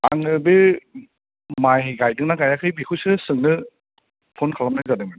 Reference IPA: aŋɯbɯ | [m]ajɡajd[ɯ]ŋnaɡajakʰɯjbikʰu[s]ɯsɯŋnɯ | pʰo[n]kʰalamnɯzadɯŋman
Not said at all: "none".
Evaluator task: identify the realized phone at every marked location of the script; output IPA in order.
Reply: m, ɯ, s, n

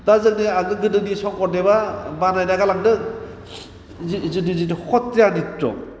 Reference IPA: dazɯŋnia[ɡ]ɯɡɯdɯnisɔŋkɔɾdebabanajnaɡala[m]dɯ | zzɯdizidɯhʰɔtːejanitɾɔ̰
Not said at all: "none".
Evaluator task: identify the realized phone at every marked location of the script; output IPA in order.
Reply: ɡ, ŋ

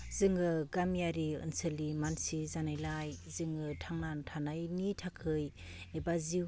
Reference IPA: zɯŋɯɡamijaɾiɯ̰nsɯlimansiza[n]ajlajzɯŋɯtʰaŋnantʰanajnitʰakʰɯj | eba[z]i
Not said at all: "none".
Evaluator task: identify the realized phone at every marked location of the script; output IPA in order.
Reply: n, z

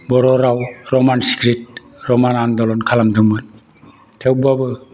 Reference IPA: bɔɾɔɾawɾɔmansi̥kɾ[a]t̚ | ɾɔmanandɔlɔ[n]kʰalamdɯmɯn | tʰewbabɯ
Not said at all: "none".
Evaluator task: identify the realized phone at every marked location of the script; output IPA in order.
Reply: i, n

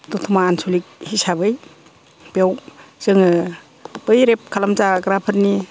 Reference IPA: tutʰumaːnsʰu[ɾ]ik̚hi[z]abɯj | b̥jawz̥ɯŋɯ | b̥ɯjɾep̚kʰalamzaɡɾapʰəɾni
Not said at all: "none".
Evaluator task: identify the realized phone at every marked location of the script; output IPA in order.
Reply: l, s

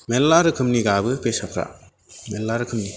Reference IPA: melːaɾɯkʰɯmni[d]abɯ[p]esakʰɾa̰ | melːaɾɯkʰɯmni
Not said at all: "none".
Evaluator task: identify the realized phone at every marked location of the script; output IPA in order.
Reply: ɡ, p

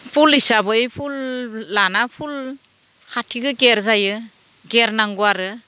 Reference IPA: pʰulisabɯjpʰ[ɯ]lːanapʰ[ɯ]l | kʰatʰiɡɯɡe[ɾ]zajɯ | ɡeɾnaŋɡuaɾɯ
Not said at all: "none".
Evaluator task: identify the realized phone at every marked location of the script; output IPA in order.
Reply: u, u, ɾ

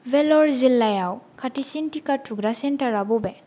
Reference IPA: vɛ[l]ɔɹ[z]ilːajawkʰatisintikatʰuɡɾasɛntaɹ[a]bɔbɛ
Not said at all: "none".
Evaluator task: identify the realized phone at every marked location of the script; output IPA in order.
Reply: l, z, a

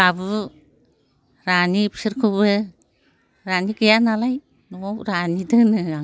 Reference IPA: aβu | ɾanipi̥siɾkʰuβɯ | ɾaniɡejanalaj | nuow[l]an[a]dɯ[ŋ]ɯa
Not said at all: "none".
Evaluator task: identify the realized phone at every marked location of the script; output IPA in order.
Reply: ɾ, i, n

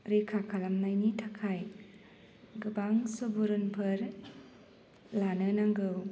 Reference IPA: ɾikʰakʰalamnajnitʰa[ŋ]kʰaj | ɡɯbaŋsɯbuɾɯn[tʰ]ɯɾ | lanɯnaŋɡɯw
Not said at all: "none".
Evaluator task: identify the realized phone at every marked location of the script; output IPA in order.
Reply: none, pʰ

